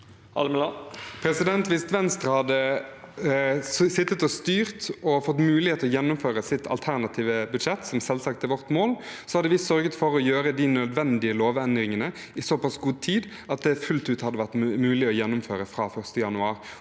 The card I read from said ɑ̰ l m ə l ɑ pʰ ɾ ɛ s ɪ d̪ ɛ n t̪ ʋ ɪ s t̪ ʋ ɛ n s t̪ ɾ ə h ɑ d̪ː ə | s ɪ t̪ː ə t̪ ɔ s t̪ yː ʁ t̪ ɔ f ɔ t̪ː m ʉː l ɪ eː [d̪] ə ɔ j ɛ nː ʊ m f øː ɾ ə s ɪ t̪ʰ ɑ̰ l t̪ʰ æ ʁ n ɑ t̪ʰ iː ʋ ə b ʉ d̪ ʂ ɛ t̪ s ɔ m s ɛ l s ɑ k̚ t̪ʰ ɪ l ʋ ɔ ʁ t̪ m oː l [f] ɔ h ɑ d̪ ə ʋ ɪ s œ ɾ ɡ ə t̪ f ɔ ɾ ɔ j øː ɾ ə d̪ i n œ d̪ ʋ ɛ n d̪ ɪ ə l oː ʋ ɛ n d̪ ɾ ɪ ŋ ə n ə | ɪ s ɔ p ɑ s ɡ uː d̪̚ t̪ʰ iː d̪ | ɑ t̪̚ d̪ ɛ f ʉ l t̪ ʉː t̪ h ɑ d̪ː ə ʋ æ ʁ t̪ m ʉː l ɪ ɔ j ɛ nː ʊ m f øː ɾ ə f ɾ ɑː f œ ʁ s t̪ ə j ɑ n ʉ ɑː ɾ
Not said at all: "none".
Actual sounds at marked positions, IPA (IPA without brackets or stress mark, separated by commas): t̪, s